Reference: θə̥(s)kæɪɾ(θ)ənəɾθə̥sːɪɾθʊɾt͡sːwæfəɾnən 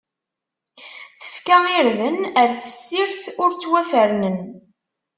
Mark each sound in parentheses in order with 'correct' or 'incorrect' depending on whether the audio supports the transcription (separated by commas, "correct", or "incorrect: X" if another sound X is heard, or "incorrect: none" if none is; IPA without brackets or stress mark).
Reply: incorrect: f, incorrect: ð